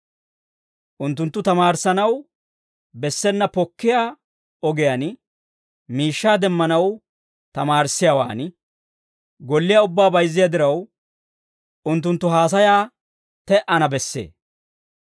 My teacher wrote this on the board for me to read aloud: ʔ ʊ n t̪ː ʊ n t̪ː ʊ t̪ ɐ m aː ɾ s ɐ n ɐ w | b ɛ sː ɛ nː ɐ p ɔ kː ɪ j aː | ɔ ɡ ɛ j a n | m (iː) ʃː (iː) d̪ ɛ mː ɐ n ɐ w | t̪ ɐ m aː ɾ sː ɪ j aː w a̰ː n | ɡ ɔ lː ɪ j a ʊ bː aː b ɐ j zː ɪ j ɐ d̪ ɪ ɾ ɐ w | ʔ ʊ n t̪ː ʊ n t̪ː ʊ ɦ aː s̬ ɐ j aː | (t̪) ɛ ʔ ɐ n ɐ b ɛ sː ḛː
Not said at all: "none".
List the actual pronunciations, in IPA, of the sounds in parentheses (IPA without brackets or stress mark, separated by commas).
iː, aː, t̪